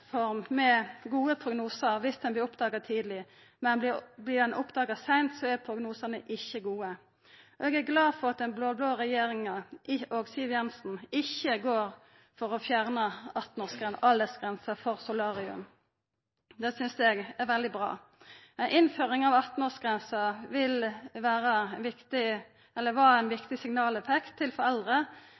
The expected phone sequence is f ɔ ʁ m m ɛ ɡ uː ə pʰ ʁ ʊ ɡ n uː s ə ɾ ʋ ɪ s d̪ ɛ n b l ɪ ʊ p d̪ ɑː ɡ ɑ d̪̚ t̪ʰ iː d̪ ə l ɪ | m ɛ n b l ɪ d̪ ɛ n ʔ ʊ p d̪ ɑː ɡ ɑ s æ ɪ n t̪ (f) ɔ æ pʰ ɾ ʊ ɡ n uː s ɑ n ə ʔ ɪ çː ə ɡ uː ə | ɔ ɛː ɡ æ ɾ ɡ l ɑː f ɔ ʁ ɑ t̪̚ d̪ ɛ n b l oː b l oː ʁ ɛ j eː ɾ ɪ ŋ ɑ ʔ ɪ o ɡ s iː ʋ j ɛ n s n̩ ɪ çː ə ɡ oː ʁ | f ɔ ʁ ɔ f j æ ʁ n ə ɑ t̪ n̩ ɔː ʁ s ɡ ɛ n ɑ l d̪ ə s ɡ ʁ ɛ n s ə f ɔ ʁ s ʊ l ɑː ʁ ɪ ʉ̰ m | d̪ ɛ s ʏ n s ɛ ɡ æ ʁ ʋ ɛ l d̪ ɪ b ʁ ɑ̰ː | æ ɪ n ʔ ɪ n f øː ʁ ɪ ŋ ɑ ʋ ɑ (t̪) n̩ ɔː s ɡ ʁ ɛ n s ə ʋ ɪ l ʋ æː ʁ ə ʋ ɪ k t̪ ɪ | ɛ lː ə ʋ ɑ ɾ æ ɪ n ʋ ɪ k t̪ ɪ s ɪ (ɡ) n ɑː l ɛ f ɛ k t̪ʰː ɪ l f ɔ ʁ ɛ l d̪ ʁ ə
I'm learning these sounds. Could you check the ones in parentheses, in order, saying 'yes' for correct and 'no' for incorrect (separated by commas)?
no, yes, no